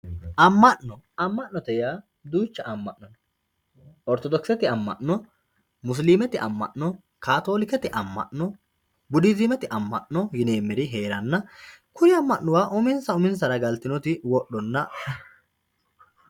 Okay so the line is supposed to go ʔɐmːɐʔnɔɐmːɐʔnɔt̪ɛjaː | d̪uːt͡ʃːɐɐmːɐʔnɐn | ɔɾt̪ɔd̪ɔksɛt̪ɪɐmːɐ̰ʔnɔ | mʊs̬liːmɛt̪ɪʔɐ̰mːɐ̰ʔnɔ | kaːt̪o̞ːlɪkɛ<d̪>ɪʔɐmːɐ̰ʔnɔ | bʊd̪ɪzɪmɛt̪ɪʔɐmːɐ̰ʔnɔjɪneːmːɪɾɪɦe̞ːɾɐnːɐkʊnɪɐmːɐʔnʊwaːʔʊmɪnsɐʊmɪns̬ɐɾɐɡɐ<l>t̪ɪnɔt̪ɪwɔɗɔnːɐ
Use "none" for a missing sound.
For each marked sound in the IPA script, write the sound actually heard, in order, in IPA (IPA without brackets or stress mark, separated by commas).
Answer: t̪, l